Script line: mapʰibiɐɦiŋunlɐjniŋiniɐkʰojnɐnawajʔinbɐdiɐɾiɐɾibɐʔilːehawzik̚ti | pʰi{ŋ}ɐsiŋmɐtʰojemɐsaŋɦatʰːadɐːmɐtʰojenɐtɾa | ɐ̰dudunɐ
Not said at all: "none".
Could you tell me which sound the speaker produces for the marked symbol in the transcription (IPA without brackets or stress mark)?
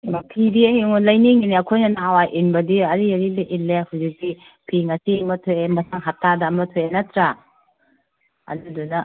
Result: ŋ